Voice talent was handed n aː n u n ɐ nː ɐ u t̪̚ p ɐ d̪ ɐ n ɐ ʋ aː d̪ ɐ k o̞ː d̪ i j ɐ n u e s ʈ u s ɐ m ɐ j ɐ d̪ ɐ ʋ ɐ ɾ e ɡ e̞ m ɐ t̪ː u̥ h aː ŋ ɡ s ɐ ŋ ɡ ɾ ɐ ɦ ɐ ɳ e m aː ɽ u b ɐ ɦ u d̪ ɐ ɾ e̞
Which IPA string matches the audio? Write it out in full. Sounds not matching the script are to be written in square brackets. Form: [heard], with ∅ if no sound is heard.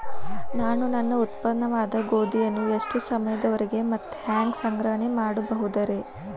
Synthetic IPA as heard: n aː n u n ɐ nː ɐ u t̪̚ p ɐ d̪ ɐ n ɐ ʋ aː d̪ ɐ [ɡ] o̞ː d̪ i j ɐ [nː] u e [ʂ] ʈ u s ɐ m ɐ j ɐ d̪ ɐ ʋ ɐ ɾ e ɡ e̞ m ɐ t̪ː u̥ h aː ŋ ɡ s ɐ ŋ ɡ ɾ ɐ ɦ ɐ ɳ e m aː ɽ u b ɐ ɦ u d̪ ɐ ɾ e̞